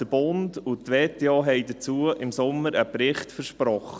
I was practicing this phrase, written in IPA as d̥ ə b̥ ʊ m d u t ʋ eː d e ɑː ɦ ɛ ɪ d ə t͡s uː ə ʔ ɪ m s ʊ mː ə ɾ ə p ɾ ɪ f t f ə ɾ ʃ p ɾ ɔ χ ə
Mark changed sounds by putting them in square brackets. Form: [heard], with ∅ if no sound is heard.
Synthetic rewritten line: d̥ ə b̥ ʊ [n] d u t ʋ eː [t] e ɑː ɦ ɛ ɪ d ə t͡s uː ə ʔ ɪ m s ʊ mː ə ɾ ə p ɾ ɪ [χ] t f ə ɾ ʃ p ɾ ɔ χ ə